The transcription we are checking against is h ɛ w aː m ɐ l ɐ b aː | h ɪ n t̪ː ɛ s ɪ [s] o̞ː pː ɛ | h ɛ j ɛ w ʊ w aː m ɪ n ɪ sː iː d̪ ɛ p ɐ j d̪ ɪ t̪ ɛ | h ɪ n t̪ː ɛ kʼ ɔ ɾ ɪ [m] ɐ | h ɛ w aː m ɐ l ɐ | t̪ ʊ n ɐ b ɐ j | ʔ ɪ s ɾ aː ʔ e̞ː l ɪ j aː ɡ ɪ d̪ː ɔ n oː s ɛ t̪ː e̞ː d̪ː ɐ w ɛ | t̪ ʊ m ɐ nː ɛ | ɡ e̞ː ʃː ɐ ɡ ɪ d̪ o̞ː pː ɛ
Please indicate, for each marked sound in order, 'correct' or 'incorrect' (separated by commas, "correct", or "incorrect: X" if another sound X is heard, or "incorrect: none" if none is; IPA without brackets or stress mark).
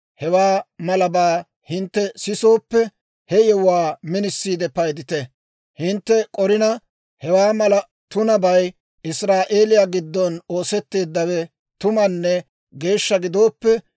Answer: correct, incorrect: n